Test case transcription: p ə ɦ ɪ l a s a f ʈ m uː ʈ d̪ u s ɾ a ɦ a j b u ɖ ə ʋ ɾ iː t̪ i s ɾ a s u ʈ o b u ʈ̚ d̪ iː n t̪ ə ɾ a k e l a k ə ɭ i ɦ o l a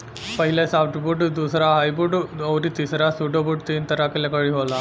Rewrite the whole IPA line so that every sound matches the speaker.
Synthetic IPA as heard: p ə ɦ i l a s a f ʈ b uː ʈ d̪ u s ɾ a ɦ a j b u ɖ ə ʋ ɾ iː t̪ i s ɾ a s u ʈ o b u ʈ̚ t̪ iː n t̪ ə ɾ a k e l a k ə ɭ i ɦ o l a